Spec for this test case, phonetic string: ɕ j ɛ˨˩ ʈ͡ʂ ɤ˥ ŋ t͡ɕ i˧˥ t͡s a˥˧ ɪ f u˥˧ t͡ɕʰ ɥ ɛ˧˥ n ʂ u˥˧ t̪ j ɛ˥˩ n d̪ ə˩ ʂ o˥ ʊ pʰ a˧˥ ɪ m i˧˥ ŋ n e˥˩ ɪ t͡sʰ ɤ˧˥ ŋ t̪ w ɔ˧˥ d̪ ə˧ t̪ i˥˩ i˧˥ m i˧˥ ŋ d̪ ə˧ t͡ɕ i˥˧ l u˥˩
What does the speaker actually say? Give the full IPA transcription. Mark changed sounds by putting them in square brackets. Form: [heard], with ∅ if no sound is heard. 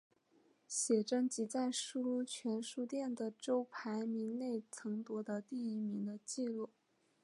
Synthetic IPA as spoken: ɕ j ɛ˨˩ ʈ͡ʂ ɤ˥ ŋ t͡ɕ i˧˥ t͡s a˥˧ ɪ [ʂ] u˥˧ t͡ɕʰ ɥ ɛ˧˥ n ʂ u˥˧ t̪ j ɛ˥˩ n d̪ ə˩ [ʈ͡ʂ] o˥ ʊ pʰ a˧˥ ɪ m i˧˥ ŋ n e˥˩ ɪ t͡sʰ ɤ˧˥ ŋ t̪ w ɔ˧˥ d̪ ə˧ t̪ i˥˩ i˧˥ m i˧˥ ŋ d̪ ə˧ t͡ɕ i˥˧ l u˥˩